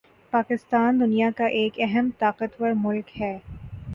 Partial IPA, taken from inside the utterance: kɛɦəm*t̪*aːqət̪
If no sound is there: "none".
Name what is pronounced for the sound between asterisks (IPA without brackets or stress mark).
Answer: t̪